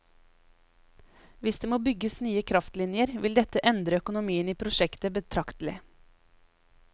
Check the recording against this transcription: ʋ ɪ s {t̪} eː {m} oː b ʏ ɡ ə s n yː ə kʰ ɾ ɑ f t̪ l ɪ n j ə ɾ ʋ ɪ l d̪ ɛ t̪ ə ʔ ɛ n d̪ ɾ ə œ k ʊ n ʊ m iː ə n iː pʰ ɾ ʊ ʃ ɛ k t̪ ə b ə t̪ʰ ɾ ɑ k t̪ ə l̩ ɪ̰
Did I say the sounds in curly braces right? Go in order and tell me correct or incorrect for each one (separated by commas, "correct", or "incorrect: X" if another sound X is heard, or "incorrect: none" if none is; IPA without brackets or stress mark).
incorrect: d̪, correct